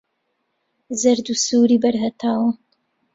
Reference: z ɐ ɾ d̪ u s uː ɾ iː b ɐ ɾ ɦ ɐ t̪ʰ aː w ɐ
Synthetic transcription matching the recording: z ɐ ɾ d̪ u s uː ɾ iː b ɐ ɾ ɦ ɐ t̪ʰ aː w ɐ